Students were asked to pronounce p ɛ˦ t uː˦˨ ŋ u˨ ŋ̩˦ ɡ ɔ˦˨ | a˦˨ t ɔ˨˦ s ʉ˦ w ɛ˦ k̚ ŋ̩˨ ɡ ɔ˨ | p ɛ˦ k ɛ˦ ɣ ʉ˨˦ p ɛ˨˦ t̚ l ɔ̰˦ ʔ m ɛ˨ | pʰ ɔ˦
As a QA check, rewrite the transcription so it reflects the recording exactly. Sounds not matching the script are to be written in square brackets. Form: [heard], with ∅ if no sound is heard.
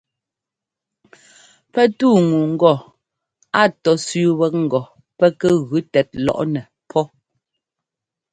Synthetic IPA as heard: p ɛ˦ t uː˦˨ ŋ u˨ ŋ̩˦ ɡ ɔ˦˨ | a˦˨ t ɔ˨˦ s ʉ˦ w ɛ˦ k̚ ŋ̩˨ ɡ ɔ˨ | p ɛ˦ k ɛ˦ ɣ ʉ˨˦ [t] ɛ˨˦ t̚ l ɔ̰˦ ʔ [n] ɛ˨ | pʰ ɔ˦